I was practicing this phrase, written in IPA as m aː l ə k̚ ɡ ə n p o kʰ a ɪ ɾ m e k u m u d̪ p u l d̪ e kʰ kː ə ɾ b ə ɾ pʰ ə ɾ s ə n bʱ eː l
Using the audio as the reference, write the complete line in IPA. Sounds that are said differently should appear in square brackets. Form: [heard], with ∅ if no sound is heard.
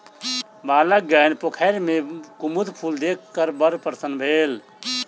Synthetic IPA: [b] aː l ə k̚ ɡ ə n p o kʰ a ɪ ɾ m e k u m u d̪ [pʰ] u l d̪ e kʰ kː ə ɾ b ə ɾ [p] ə ɾ s ə n bʱ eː l